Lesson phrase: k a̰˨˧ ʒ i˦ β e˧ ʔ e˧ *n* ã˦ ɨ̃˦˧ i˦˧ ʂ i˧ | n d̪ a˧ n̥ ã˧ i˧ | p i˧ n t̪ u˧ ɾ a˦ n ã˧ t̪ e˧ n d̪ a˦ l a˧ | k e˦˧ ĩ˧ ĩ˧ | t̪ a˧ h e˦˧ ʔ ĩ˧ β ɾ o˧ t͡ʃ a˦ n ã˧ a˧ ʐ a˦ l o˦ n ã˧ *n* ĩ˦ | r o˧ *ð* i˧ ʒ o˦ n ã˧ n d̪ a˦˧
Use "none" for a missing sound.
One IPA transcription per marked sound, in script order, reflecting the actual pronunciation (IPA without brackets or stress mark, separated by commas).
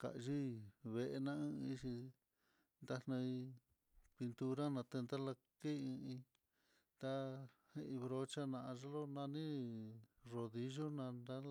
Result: n, n, ð